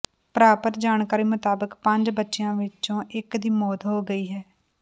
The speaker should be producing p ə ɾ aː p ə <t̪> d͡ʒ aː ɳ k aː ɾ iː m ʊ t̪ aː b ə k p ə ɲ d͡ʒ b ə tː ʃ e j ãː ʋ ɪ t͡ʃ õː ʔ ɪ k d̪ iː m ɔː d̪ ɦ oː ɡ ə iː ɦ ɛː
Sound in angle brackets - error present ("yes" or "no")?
no